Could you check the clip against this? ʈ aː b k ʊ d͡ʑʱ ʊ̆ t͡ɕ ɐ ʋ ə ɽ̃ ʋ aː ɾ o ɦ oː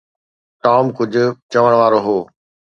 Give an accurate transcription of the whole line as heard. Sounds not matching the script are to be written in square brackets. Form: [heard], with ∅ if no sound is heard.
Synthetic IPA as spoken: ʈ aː [m] k ʊ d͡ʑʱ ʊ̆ t͡ɕ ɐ ʋ ə ɽ̃ ʋ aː ɾ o ɦ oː